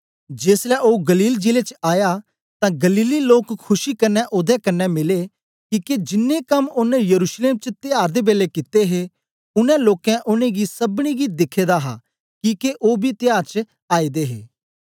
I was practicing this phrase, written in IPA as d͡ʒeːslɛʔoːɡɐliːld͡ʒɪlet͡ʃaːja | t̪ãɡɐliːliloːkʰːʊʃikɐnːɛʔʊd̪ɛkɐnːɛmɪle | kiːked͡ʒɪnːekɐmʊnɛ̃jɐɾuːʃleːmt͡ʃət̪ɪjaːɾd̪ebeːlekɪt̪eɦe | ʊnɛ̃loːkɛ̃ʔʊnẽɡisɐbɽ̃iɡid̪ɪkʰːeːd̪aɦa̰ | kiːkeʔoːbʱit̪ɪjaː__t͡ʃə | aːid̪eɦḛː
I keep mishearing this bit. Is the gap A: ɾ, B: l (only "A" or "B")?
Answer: A